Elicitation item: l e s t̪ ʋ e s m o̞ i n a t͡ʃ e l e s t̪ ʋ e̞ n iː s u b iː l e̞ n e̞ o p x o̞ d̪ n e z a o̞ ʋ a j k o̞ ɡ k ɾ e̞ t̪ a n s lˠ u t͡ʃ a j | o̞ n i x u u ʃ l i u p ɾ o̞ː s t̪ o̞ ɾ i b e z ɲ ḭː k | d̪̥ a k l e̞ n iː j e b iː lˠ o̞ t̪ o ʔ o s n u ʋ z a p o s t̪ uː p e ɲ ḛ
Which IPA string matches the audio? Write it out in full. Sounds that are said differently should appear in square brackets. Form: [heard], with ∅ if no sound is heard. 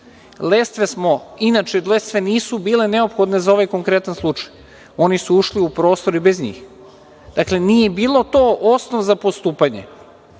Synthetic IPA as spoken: l e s t̪ ʋ e s m o̞ i n a t͡ʃ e l e s t̪ ʋ e̞ n iː s u b iː l e̞ n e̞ o p x o̞ d̪ n e z a o̞ ʋ a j k o̞ [ŋ] k ɾ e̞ t̪ a n s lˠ u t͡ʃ a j | o̞ n i [s] u u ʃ l i u p ɾ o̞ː s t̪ o̞ ɾ i b e z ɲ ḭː [x] | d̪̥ a k l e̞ n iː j e b iː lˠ o̞ t̪ o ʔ o s n [o] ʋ z a p o s t̪ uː p [a] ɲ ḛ

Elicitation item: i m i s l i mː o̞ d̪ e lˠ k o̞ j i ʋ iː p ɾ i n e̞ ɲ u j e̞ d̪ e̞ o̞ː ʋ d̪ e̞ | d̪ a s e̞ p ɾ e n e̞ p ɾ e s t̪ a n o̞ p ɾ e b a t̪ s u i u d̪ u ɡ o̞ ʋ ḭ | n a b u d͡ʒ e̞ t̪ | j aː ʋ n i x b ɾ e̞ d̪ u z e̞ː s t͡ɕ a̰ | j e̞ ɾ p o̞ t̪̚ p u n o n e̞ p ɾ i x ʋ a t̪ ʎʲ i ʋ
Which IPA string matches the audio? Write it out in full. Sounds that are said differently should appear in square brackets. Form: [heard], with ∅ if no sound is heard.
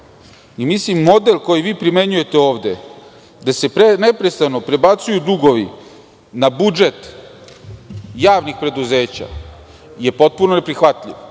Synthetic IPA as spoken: i m i s l i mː o̞ d̪ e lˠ k o̞ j i ʋ iː p ɾ i [m] e̞ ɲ u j e̞ [t̪] e̞ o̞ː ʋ d̪ e̞ | d̪ a s e̞ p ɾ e n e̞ p ɾ e s t̪ a n o̞ p ɾ e b a t̪ s u [j] u d̪ u ɡ o̞ ʋ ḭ | n a b u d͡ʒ e̞ t̪ | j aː ʋ n i x [p] ɾ e̞ d̪ u z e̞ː [∅] t͡ɕ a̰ | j e̞ [∅] p o̞ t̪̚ p u n o n e̞ p ɾ i x ʋ a t̪ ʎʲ i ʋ

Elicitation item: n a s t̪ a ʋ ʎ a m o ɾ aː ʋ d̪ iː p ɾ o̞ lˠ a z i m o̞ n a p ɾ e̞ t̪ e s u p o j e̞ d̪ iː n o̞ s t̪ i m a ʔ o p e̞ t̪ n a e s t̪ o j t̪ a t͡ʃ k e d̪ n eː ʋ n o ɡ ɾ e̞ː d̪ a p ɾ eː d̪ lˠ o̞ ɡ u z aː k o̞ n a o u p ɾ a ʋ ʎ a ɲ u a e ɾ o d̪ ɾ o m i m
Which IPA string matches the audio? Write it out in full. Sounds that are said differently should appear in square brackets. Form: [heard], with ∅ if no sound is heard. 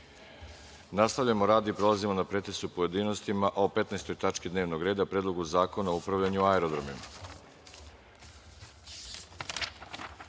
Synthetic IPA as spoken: n a s t̪ a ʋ ʎ a m o ɾ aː [∅] d̪ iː p ɾ o̞ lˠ a z i m o̞ n a p ɾ e̞ t̪ e s u p o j e̞ d̪ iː n o̞ s t̪ i m a ʔ o p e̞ t̪ n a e s t̪ o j t̪ a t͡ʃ k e d̪ n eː ʋ n o ɡ ɾ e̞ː d̪ a p ɾ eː d̪ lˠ o̞ ɡ u z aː k o̞ n a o u p ɾ a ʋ ʎ a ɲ u a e ɾ o d̪ ɾ o m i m

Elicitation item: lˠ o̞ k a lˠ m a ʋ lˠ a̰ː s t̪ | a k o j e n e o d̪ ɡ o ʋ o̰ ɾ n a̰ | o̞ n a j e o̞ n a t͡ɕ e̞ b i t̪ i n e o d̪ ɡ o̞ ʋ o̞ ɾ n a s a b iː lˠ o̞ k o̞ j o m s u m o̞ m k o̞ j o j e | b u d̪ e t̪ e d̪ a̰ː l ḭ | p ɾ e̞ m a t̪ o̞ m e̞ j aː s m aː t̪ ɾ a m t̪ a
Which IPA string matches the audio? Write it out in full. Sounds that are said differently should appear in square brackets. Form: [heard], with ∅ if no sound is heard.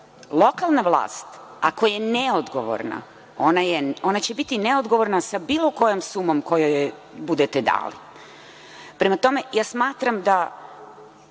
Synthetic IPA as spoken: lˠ o̞ k a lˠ [n] a ʋ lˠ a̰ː s t̪ | a k o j e n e o d̪ ɡ o ʋ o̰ ɾ n a̰ | o̞ n a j e o̞ n a t͡ɕ e̞ b i t̪ i n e o d̪ ɡ o̞ ʋ o̞ ɾ n a s a b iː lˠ o̞ k o̞ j o m s u m o̞ m k o̞ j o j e | b u d̪ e t̪ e d̪ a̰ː l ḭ | p ɾ e̞ m a t̪ o̞ m e̞ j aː s m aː t̪ ɾ a m [d̪] a

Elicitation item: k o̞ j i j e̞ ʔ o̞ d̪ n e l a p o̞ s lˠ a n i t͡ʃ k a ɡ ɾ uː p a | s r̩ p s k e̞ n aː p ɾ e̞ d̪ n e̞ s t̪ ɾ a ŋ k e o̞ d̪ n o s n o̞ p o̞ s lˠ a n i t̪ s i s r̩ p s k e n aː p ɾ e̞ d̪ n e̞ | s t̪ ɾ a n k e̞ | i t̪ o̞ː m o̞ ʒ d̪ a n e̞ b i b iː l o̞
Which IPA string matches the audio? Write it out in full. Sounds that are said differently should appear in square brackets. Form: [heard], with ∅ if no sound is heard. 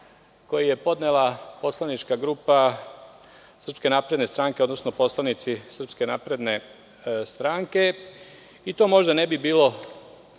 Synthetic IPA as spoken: k o̞ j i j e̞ [p] o̞ d̪ n e l a p o̞ s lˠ a n i t͡ʃ k a ɡ ɾ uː p a | s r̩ p s k e̞ n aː p ɾ e̞ d̪ n e̞ s t̪ ɾ a ŋ k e o̞ d̪ n o s n o̞ p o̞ s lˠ a n i t̪ s i s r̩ p s k e n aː p ɾ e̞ d̪ n e̞ | s t̪ ɾ a [ŋ] k e̞ | i t̪ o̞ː m o̞ ʒ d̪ a n e̞ b i b iː l o̞

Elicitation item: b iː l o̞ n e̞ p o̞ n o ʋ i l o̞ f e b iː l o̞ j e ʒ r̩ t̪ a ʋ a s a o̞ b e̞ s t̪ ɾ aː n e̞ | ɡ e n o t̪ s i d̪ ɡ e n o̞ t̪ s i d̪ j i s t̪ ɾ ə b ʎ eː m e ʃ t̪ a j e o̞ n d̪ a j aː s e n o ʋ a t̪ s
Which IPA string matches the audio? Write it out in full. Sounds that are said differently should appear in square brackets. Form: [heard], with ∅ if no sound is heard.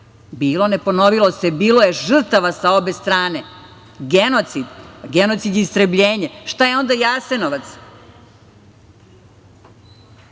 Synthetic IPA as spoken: b iː l o̞ n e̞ p o̞ n o ʋ i l o̞ [s] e b iː l o̞ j e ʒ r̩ t̪ a ʋ a s a o̞ b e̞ s t̪ ɾ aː n e̞ | ɡ e n o t̪ s i d̪ ɡ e n o̞ t̪ s i d̪ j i s t̪ ɾ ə b ʎ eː [ɲ] e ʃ t̪ a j e o̞ n d̪ a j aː s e n o ʋ a t̪ s

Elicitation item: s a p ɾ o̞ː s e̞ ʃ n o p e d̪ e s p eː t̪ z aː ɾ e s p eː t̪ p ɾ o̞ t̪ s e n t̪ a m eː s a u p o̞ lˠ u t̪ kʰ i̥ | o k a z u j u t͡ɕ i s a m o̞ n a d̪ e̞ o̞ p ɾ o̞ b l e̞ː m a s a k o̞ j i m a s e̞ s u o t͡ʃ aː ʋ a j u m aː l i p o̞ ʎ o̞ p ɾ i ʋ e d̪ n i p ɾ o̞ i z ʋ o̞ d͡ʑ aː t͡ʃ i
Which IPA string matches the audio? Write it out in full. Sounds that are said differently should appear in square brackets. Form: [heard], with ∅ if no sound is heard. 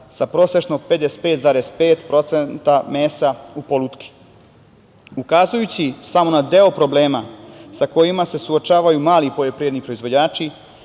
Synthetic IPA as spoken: s a p ɾ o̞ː s e̞ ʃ n o p e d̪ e s p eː t̪ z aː ɾ e s p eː t̪ p ɾ o̞ t̪ s e n t̪ a m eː s a u p o̞ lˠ u t̪ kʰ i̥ | [u] k a z u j u t͡ɕ i s a m o̞ n a d̪ e̞ o̞ p ɾ o̞ b l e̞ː m a s a k o̞ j i m a s e̞ s u o t͡ʃ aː ʋ a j u m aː l i p o̞ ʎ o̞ p ɾ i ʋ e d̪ n i p ɾ o̞ i z ʋ o̞ d͡ʑ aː t͡ʃ i

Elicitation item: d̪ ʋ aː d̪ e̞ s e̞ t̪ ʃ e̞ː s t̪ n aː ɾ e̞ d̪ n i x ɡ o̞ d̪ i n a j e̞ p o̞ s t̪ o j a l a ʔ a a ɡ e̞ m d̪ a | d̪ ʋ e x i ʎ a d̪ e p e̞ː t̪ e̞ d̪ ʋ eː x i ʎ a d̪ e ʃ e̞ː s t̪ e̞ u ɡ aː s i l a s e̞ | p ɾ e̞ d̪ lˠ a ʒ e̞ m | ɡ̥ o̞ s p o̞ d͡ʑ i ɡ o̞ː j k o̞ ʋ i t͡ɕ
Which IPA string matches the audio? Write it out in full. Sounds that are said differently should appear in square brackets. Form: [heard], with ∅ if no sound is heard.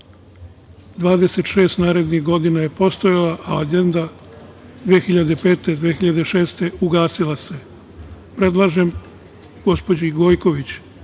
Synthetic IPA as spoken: d̪ ʋ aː d̪ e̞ s e̞ t̪ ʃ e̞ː s t̪ n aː ɾ e̞ d̪ n i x ɡ o̞ d̪ i n a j e̞ p o̞ s t̪ o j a l a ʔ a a ɡ e̞ [n] d̪ a | d̪ ʋ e x i ʎ a d̪ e p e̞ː t̪ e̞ d̪ ʋ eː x i ʎ a d̪ e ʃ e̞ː s t̪ e̞ u ɡ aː s i l a s e̞ | p ɾ e̞ d̪ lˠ a ʒ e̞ m | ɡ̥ o̞ s p o̞ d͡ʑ i ɡ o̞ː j k o̞ ʋ i t͡ɕ

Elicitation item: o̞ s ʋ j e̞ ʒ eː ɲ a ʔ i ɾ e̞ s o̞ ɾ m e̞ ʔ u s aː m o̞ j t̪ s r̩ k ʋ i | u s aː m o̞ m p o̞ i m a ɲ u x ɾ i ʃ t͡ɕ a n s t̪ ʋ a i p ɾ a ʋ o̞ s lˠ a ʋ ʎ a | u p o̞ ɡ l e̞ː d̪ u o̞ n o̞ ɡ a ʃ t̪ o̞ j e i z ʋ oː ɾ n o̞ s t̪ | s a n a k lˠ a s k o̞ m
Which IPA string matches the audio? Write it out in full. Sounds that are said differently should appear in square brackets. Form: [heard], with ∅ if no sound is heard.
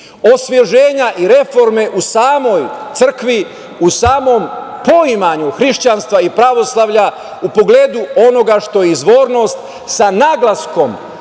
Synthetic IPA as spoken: o̞ s ʋ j e̞ ʒ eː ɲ a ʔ i ɾ e̞ [f] o̞ ɾ m e̞ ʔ u s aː m o̞ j t̪ s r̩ k ʋ i | u s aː m o̞ m p o̞ i m a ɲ u x ɾ i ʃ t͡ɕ a n s t̪ ʋ a i p ɾ a ʋ o̞ s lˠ a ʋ ʎ a | u p o̞ ɡ l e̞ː d̪ u o̞ n o̞ ɡ a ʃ t̪ o̞ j e i z ʋ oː ɾ n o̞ s t̪ | s a n a [ɡ] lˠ a s k o̞ m

